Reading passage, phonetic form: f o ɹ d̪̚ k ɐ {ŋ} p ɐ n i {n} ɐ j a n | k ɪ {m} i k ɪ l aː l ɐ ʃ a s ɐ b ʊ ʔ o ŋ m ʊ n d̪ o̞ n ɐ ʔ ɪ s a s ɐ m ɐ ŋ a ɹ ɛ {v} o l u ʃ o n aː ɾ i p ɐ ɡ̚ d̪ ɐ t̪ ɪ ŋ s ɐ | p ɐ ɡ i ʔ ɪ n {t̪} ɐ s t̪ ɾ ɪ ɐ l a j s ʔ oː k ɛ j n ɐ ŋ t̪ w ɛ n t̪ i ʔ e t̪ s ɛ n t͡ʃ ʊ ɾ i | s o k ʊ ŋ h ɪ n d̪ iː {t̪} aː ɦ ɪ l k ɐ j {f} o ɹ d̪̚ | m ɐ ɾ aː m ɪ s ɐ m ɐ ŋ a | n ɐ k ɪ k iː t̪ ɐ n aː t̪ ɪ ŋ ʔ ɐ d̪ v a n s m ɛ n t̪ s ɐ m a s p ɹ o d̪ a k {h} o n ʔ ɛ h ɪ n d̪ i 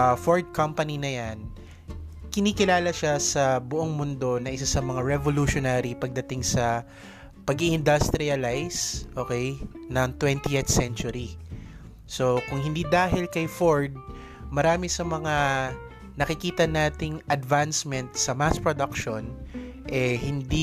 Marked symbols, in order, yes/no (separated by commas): no, yes, no, yes, no, no, yes, no